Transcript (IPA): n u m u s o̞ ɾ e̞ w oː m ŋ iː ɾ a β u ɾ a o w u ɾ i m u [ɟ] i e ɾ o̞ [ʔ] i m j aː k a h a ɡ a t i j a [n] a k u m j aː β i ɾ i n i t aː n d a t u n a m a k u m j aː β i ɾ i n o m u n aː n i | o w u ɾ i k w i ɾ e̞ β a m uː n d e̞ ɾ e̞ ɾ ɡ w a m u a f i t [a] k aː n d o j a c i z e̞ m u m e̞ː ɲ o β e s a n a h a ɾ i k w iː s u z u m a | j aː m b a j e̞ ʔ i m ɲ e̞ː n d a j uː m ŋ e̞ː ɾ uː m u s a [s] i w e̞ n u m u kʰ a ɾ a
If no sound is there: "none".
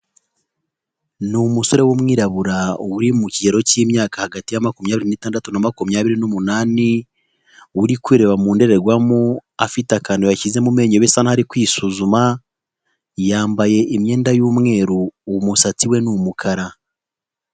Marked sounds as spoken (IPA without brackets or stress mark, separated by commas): c, c, m, a, t͡s